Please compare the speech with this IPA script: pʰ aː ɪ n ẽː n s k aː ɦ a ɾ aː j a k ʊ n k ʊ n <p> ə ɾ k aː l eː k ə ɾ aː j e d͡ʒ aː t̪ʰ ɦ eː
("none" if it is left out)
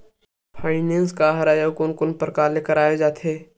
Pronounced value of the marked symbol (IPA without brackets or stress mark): p